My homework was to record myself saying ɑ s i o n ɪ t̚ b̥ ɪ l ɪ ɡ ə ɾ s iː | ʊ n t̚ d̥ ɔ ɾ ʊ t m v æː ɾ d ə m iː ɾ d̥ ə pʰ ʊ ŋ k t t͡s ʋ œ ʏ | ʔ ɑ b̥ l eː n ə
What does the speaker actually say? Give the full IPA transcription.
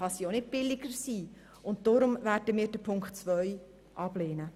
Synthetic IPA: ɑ s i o n ɪ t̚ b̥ ɪ l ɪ ɡ ə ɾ s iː | ʊ n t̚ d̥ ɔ ɾ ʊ m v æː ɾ d ə m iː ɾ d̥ ə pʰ ʊ ŋ k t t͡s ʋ œ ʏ | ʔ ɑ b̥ l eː n ə

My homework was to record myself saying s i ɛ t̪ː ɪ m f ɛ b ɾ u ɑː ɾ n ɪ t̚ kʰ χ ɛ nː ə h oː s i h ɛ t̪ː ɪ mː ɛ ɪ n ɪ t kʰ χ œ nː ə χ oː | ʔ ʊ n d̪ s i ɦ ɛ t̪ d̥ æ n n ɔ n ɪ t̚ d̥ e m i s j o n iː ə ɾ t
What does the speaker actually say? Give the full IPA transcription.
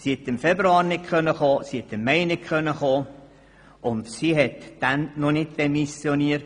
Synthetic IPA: s i ɛ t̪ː ɪ m f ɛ b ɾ u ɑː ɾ n ɪ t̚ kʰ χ œ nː ə χ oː s i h ɛ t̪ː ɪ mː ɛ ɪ n ɪ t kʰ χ œ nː ə χ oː | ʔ ʊ n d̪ s i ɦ ɛ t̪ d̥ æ n n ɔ n ɪ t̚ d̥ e m i s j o n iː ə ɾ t

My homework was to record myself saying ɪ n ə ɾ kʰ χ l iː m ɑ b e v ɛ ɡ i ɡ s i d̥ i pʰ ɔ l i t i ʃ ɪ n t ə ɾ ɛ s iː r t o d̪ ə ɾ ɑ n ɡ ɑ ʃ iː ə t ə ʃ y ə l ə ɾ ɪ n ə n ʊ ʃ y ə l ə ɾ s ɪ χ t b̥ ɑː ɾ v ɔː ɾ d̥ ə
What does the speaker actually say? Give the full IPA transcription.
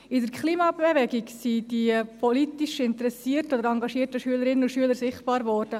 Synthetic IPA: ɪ d ə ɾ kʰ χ l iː m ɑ b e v ɛ ɡ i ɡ s i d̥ i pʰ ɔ l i t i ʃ ɪ n t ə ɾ ɛ s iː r t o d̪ ə ɾ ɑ ŋ ɡ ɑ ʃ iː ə t ə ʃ y ə l ə ɾ ɪ n ə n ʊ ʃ y ə l ə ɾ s ɪ χ t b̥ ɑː ɾ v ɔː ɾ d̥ ə

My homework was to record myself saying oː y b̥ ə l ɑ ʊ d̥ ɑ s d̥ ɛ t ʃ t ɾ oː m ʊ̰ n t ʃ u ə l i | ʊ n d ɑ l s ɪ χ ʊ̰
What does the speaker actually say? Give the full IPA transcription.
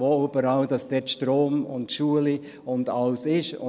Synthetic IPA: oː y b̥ ə ɾ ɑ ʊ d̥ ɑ s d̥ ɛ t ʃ t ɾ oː m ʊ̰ n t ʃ u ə l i | ʊ n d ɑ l s ɪ ʃ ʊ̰

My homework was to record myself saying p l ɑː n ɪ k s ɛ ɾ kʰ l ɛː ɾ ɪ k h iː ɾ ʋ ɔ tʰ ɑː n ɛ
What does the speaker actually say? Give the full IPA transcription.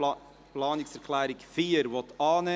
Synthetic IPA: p l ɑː n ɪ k s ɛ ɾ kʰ l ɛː ɾ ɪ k f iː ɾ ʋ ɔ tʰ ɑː n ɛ

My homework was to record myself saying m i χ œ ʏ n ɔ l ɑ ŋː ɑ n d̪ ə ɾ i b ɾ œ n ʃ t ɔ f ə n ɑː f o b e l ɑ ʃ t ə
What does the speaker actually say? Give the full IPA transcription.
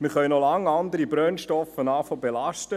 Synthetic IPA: m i χ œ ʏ n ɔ l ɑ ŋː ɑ n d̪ ə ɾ i b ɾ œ n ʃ t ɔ f ə n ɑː f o b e l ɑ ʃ t ə

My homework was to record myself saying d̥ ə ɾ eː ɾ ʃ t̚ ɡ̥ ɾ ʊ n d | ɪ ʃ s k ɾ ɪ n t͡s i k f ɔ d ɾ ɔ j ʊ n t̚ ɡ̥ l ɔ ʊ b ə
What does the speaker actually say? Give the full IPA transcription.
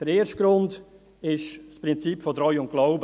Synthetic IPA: d̥ ə ɾ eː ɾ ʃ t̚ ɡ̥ ɾ ʊ n d | ɪ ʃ s p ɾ ɪ n t͡s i p f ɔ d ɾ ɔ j ʊ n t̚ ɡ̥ l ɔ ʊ b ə

